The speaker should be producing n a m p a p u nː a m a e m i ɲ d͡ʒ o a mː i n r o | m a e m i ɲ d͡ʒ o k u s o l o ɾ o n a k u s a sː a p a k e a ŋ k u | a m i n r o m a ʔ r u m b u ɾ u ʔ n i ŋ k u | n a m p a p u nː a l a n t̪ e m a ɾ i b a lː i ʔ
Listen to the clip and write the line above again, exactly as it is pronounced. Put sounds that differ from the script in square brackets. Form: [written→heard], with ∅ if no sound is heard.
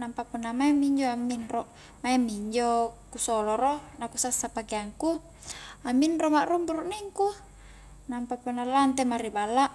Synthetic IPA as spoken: n a m p a p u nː a m a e m i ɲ d͡ʒ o a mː i n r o | m a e m i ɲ d͡ʒ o k u s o l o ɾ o n a k u s a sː a p a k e a ŋ k u | a m i n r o m a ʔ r u m b u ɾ u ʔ n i ŋ k u | n a m p a p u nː a l a n t̪ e m a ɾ i b a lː [i→a] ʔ